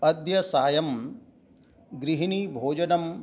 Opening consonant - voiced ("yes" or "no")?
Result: yes